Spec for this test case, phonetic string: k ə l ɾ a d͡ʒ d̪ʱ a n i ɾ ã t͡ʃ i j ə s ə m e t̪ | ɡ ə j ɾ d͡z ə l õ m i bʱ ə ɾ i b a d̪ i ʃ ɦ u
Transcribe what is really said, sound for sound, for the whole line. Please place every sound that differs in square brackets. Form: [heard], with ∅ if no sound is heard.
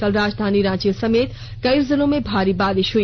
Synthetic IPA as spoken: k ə l ɾ a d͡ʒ d̪ʱ a n i ɾ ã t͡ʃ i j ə s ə m e t̪ | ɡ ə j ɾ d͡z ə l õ m [e] bʱ [a] ɾ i b a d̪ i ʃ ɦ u